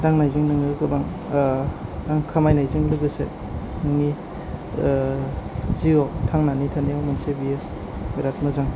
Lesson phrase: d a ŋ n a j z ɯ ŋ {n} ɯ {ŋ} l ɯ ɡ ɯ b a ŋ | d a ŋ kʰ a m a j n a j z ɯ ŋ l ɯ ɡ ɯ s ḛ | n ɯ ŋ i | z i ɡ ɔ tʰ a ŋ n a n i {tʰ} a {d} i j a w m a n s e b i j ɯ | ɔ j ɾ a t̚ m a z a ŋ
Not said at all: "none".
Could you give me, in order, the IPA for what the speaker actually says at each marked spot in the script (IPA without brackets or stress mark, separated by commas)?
n, ŋ, tʰ, n